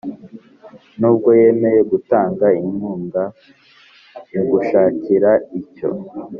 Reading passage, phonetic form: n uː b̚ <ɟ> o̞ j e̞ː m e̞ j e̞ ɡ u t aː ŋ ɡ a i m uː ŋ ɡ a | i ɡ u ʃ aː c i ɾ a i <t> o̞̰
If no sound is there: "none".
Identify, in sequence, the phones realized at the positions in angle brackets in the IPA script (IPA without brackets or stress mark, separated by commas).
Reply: ɡ, c